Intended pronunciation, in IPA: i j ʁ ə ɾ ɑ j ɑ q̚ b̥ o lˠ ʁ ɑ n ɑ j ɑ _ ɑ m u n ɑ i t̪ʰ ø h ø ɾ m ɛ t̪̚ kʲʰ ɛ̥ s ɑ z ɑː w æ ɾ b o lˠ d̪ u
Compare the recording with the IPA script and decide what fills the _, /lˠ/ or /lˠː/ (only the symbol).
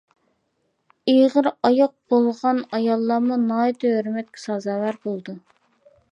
lˠː